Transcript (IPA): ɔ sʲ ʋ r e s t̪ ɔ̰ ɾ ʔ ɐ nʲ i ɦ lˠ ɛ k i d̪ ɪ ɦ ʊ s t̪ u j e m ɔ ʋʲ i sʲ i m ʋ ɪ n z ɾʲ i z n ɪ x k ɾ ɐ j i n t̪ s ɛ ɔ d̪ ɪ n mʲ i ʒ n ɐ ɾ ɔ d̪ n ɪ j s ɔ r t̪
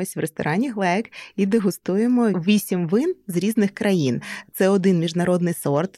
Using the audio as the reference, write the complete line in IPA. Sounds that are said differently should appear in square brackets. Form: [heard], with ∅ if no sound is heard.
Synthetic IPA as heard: ɔ sʲ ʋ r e s t̪ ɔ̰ ɾ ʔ [ɑ] nʲ i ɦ lˠ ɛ k i d̪ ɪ ɦ ʊ s t̪ u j e m ɔ ʋʲ i sʲ i m ʋ ɪ n z ɾʲ i z n ɪ x k ɾ ɐ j i n t̪ s ɛ ɔ d̪ ɪ n mʲ i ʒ n ɐ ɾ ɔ d̪ n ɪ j s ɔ r t̪